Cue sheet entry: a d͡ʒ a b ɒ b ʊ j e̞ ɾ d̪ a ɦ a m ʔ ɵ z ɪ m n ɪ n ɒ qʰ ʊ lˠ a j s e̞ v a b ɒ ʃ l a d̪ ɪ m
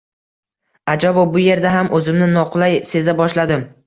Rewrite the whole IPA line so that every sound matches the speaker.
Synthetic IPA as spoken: a d͡ʒ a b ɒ b ʊ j e̞ ɾ d̪ a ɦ a m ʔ ɵ z ɪ m n ɪ n ɒ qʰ ʊ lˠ a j s e̞ z a b ɒ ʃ l a d̪ ɪ m